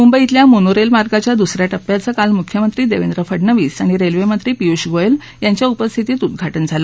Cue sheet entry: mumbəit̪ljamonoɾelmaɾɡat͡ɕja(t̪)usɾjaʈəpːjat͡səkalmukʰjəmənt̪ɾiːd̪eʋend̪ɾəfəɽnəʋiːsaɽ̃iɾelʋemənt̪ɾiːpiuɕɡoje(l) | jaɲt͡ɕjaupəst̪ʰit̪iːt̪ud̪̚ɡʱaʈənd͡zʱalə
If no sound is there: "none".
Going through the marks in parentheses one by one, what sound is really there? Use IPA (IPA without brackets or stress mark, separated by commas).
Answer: d̪, l